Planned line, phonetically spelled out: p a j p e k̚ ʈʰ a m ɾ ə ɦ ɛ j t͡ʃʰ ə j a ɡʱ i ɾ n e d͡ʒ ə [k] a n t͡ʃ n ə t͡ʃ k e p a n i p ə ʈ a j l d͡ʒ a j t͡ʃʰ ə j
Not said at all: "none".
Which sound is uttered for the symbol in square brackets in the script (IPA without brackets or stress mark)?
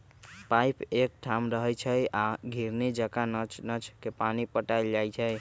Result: k